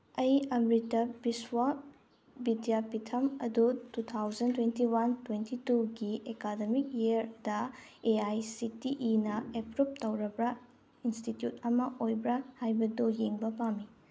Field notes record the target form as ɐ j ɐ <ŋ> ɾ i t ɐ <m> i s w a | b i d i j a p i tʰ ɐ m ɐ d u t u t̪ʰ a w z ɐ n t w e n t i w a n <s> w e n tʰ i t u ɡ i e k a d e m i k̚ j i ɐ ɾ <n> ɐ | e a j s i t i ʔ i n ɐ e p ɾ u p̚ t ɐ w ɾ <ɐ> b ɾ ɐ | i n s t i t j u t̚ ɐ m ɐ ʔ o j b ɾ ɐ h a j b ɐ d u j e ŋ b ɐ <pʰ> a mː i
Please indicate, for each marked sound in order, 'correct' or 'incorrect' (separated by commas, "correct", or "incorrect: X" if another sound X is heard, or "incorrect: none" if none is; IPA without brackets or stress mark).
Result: incorrect: m, incorrect: b, incorrect: t, incorrect: d, correct, incorrect: p